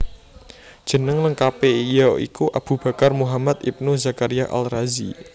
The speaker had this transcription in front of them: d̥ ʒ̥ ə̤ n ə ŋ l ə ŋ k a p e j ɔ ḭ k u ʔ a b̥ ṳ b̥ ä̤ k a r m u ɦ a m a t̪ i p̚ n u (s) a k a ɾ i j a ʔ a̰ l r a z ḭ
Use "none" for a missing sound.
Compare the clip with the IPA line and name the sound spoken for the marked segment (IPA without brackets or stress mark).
z